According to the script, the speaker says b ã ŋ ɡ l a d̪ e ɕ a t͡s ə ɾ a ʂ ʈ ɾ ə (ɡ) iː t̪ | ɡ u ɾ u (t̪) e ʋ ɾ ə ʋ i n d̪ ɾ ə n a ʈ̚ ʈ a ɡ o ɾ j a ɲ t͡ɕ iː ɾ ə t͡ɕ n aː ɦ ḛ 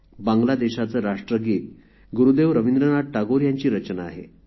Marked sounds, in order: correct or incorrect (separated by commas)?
correct, incorrect